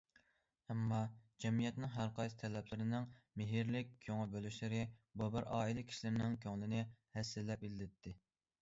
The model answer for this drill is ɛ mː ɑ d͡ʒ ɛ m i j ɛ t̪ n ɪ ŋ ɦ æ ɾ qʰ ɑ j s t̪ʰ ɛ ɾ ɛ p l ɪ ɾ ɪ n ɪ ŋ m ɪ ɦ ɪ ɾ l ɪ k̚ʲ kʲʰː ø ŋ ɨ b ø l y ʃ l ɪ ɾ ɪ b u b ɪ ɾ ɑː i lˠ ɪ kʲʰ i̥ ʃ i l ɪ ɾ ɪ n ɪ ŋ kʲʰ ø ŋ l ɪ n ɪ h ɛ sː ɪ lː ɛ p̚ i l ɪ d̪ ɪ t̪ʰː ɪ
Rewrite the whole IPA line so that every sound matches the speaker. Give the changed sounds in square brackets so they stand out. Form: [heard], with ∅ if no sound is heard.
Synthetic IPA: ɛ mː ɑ d͡ʒ ɛ m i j ɛ t̪ n ɪ ŋ ɦ æ ɾ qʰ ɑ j s t̪ʰ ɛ [l] ɛ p l ɪ ɾ ɪ n ɪ ŋ m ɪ ɦ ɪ ɾ l ɪ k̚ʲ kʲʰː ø ŋ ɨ b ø l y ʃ l ɪ ɾ ɪ b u b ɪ ɾ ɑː i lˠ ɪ kʲʰ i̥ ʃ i l ɪ ɾ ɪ n ɪ ŋ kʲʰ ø ŋ l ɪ n ɪ h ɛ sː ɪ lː ɛ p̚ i l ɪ d̪ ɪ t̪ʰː ɪ